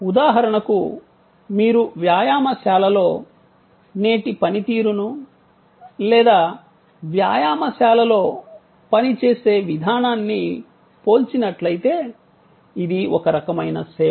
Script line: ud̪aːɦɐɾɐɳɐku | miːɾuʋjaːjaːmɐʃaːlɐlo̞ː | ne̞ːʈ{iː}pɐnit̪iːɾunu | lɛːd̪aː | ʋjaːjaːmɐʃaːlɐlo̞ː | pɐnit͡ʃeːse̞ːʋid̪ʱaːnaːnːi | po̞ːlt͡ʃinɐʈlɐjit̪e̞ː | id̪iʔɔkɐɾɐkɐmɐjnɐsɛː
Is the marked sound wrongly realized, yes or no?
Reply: yes